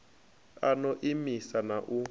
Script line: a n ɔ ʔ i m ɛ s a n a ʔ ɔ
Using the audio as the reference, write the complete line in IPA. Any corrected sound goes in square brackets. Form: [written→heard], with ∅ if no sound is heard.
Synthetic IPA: a n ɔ ʔ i m [ɛ→i] s a n a ʔ [ɔ→u]

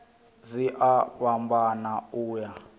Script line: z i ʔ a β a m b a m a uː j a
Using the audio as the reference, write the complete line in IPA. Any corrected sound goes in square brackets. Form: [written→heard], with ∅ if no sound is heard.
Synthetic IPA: z i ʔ a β a m b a [m→n] a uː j a

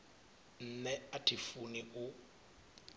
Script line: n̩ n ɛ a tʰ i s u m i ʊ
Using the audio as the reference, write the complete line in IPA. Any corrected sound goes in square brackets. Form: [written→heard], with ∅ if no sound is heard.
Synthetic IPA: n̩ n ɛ a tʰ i [s→f] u [m→n] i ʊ

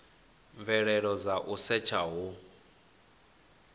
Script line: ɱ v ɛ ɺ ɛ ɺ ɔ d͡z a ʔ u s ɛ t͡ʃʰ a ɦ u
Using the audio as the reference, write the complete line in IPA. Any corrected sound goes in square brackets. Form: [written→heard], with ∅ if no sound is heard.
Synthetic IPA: ɱ v ɛ ɺ ɛ ɺ ɔ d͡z a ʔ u s ɛ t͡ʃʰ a ɦ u

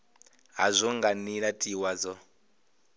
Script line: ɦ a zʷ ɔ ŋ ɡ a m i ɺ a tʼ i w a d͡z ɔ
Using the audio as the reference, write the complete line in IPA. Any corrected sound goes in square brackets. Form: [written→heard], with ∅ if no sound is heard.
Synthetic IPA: ɦ a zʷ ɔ ŋ ɡ a [m→n] i ɺ a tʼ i w a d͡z ɔ

